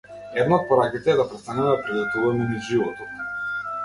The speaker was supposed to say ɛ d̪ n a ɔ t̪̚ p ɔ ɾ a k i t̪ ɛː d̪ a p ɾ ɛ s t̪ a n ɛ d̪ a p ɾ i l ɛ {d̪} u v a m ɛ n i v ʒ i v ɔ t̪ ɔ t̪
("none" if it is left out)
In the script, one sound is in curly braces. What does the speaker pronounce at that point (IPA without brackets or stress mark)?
t̪